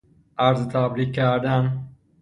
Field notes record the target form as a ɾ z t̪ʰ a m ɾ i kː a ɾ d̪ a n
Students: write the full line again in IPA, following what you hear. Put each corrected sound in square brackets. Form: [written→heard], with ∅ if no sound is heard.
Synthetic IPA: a ɾ z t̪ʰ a [m→b] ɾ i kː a ɾ d̪ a n